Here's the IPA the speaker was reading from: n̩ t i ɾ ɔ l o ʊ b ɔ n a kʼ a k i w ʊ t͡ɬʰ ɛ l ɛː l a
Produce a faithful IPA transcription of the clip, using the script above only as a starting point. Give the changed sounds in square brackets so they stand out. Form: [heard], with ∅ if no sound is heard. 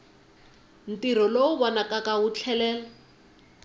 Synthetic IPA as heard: n̩ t i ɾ ɔ l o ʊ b ɔ n a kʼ a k [a] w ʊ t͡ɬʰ ɛ l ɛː l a